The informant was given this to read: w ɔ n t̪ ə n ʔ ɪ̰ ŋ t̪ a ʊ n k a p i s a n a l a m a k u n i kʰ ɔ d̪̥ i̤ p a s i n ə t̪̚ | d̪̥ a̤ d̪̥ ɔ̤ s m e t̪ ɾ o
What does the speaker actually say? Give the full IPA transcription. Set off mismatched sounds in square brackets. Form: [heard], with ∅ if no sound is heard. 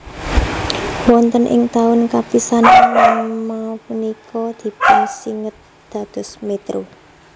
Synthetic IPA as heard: w ɔ n t̪ ə n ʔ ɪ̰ ŋ t̪ a ʊ n k a p i s a n a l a m a [p] u n i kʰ ɔ d̪̥ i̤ p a s i [ŋ] ə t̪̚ | d̪̥ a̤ d̪̥ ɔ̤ s m e t̪ ɾ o